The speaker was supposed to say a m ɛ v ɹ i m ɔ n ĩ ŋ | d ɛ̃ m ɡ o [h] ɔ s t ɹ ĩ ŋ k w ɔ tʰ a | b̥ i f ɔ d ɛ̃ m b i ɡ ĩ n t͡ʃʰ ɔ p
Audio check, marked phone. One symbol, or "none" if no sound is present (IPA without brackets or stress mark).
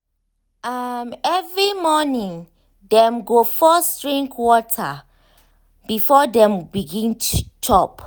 f